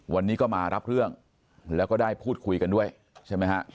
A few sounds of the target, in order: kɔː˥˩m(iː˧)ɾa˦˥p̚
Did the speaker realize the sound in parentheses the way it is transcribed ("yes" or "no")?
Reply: no